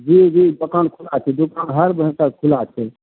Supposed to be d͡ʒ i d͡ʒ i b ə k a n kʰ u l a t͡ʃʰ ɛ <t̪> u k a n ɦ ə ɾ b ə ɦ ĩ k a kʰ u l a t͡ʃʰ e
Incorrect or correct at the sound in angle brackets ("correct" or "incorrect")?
incorrect